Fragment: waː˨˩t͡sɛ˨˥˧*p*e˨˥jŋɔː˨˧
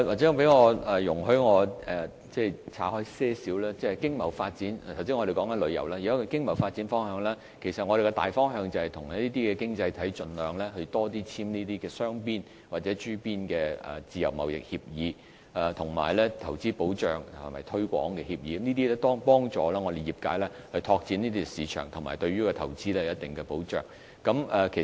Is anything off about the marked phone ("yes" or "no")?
no